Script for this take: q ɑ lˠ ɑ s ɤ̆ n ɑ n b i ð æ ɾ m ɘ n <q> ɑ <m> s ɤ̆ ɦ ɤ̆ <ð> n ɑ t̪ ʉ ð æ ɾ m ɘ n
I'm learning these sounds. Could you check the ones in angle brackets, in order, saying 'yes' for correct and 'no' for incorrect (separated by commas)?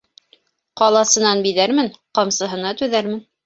yes, yes, no